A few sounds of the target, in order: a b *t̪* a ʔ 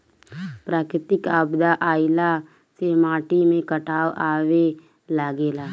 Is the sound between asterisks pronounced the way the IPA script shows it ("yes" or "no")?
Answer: no